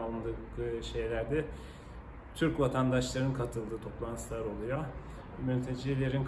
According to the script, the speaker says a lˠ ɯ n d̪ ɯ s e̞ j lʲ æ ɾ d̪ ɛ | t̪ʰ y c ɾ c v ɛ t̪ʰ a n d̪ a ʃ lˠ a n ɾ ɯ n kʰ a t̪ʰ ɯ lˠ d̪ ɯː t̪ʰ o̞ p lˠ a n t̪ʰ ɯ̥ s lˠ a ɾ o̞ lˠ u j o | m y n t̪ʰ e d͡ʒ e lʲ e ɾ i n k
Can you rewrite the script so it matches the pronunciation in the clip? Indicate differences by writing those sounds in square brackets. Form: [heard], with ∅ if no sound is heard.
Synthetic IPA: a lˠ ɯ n d̪ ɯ [ʃ] e̞ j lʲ æ ɾ d̪ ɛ | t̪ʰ y [∅] ɾ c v [a] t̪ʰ a n d̪ a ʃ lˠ a [∅] ɾ ɯ n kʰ a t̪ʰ ɯ lˠ d̪ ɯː t̪ʰ o̞ p lˠ a n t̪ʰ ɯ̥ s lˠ a ɾ o̞ lˠ u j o | m y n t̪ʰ e d͡ʒ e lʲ e ɾ i n k

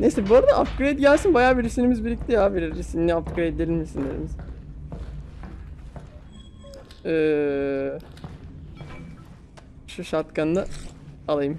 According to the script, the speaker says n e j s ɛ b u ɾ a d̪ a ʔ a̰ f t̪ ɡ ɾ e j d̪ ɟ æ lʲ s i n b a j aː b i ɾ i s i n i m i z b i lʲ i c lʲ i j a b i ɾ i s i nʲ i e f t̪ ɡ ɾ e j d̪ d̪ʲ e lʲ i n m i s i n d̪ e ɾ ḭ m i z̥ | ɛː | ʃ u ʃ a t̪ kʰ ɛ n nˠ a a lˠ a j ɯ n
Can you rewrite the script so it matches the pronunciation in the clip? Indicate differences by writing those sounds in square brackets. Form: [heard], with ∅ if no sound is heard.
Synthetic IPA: n e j s ɛ b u ɾ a d̪ a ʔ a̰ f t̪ ɡ ɾ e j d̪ ɟ æ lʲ s i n b a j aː b i ɾ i s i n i m i z b i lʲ i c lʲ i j a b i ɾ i s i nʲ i [a] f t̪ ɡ ɾ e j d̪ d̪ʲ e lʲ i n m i s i n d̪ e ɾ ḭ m i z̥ | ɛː | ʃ u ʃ a t̪ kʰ [a] n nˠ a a lˠ a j ɯ [m]

